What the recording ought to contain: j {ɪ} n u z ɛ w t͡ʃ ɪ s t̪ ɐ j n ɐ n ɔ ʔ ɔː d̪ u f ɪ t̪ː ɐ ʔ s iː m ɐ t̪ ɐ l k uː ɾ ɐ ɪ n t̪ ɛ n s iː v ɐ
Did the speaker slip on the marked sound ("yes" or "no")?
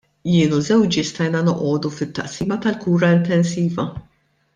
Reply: yes